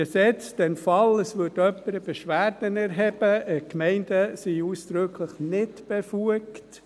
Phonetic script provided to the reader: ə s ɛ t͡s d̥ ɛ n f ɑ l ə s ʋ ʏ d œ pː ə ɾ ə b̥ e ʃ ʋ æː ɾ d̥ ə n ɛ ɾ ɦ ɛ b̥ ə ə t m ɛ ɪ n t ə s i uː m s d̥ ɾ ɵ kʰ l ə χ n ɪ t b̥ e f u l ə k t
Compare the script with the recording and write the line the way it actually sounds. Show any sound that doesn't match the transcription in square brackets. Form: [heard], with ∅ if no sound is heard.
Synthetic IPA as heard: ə s ɛ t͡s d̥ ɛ n f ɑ l ə s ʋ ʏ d œ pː ə ɾ ə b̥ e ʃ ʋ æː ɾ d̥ ə n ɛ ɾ ɦ ɛ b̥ ə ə [k] m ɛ ɪ n [d] ə s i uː [∅] s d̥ ɾ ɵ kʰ l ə χ n ɪ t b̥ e f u [∅] ə k t

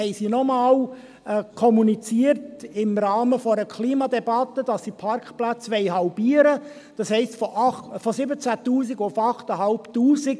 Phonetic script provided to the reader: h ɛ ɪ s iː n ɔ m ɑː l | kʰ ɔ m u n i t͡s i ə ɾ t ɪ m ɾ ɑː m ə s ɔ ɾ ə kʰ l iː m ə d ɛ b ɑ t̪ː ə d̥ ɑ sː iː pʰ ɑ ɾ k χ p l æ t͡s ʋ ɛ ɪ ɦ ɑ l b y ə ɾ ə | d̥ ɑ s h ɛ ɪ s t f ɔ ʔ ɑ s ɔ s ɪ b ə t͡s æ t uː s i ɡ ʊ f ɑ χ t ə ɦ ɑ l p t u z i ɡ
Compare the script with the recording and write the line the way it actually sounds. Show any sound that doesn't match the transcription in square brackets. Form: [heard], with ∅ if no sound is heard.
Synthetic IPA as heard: h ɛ ɪ s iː n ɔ m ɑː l | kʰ ɔ m u n i t͡s i ə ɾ t ɪ m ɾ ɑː m ə [f] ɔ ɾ ə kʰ l iː m [ɑ] d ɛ b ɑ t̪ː ə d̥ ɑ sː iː pʰ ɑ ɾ k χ p l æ t͡s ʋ ɛ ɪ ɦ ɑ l b [i] ə ɾ ə | d̥ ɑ s h ɛ ɪ s t f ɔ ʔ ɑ [f] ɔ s ɪ b ə t͡s æ t uː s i ɡ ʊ f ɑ χ t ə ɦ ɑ l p t [uː] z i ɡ

